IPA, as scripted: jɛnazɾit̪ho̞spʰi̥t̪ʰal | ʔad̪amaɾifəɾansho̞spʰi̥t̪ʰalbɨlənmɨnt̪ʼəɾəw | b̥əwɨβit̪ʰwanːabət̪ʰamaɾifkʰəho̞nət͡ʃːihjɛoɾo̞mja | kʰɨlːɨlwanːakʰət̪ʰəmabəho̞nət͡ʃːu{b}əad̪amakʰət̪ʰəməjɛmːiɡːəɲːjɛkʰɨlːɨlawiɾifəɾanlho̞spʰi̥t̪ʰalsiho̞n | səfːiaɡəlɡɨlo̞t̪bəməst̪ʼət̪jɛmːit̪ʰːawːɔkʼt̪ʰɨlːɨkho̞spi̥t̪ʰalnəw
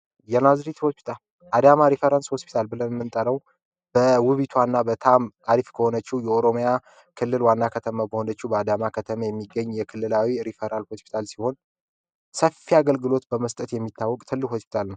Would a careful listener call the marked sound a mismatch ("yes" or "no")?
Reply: no